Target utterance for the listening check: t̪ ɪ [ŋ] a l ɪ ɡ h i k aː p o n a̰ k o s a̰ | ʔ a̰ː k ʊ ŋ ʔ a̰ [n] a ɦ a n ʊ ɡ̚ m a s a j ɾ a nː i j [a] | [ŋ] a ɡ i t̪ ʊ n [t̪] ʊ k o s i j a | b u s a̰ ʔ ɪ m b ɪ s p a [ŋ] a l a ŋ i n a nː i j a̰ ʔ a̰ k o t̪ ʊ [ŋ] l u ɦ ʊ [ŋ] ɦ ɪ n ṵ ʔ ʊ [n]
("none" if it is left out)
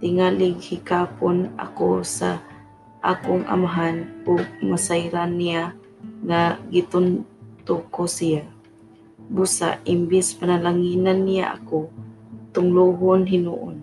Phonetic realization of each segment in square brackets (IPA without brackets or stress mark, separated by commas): ŋ, m, a, ŋ, t̪, n, ŋ, n, n